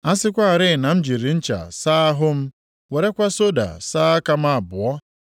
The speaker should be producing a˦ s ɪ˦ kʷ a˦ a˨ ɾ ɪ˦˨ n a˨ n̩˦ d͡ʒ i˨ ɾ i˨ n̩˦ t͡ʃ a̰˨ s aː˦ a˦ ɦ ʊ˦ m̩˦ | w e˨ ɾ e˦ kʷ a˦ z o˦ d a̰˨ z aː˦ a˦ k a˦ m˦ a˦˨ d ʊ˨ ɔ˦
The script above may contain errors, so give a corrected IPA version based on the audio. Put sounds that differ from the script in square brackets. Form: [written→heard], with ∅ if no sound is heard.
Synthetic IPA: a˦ s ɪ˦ kʷ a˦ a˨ ɾ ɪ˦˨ n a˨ [n̩˦→m̩˦] d͡ʒ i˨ ɾ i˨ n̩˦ t͡ʃ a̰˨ s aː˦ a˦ ɦ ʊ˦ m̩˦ | w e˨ ɾ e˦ kʷ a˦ [z→s] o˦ d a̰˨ [z→s] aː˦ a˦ k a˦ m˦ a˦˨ [d→b] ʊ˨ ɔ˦